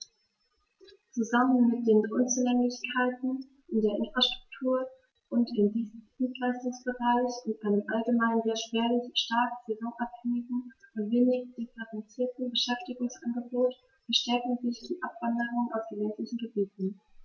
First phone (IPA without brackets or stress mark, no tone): t͡s